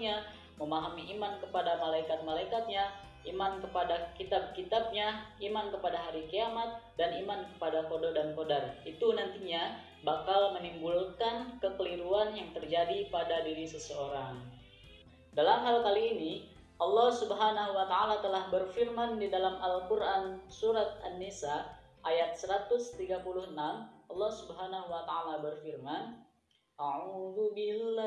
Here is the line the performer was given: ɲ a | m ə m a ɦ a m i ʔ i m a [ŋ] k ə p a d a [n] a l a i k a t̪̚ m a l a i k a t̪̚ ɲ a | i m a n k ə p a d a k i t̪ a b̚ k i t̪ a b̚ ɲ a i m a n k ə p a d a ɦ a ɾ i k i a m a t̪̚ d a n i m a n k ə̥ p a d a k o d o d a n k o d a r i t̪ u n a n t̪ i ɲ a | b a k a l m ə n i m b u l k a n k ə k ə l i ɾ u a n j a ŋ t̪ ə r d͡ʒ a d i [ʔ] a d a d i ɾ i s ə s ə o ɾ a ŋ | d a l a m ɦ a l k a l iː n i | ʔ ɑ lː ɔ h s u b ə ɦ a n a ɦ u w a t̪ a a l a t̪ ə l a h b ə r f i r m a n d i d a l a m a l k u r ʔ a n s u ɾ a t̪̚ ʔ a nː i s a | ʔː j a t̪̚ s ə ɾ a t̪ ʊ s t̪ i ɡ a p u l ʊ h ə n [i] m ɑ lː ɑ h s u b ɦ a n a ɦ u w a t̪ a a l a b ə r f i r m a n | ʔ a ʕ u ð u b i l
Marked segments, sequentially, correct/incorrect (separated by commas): incorrect, incorrect, incorrect, incorrect